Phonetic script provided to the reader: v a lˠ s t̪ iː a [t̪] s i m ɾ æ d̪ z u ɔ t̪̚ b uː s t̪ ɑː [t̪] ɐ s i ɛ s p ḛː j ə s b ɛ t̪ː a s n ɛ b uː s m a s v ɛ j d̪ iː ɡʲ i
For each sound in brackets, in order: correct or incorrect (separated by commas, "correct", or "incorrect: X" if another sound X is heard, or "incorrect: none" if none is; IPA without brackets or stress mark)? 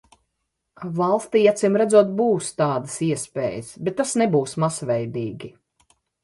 correct, incorrect: d̪